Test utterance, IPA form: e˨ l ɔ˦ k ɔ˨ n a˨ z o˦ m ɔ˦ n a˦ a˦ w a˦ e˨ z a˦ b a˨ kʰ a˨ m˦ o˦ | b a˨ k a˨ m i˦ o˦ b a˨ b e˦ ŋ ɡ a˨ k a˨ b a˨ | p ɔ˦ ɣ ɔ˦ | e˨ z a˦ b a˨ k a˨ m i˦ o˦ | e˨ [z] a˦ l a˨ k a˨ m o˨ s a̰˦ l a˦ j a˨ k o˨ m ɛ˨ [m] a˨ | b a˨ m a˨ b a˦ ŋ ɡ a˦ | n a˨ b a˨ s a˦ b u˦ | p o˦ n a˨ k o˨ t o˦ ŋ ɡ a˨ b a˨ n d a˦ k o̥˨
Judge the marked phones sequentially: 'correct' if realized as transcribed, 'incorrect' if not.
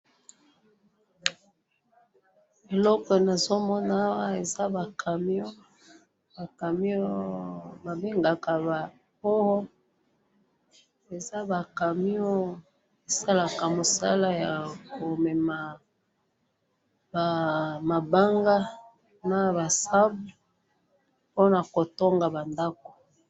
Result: incorrect, correct

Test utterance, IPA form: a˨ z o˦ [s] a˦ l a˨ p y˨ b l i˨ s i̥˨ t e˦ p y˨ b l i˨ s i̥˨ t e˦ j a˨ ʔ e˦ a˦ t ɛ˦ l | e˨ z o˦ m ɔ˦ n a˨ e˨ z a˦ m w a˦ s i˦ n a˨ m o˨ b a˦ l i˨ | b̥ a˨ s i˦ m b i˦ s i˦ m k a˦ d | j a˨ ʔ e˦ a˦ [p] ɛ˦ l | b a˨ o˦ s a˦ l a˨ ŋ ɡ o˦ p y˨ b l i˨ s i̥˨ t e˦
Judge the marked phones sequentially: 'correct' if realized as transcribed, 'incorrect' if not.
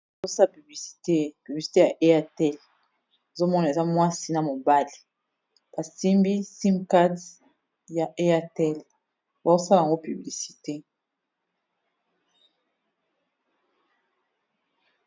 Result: correct, incorrect

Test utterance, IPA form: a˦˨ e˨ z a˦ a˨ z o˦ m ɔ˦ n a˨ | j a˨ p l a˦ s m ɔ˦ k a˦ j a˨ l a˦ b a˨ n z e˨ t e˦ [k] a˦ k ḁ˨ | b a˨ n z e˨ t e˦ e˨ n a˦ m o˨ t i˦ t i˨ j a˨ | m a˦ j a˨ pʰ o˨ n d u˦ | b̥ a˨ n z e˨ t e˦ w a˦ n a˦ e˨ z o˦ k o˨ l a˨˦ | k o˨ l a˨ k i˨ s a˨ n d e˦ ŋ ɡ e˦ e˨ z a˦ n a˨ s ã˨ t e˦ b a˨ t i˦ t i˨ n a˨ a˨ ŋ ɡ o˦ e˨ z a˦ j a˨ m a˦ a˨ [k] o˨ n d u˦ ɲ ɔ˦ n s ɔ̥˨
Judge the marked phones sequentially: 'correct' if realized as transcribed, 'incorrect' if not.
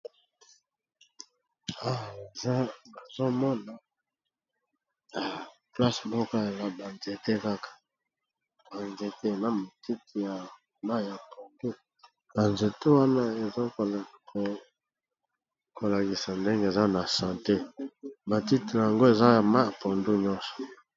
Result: correct, incorrect

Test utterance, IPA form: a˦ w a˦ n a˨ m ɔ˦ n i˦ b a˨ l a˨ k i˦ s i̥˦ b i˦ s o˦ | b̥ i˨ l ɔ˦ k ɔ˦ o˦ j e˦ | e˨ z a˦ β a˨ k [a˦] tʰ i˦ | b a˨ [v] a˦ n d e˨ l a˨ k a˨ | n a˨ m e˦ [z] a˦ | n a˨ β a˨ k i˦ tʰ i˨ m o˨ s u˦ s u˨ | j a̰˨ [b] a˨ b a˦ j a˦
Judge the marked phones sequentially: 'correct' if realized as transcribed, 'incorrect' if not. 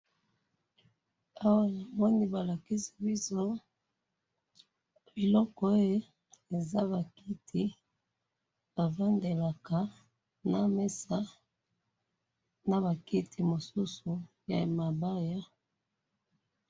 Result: incorrect, correct, incorrect, incorrect

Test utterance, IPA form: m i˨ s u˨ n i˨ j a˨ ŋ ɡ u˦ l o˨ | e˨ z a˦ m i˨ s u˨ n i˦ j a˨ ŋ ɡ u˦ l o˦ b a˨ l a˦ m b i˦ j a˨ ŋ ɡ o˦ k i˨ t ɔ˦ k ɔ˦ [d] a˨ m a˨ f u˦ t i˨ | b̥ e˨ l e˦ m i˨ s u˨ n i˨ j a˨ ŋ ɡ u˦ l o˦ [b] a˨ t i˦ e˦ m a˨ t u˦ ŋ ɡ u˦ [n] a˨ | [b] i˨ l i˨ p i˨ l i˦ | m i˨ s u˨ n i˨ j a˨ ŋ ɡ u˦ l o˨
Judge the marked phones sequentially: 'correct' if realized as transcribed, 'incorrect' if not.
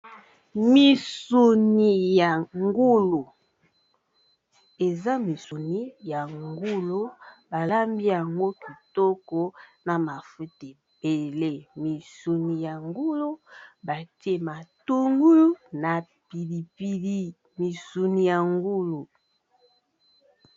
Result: incorrect, correct, correct, incorrect

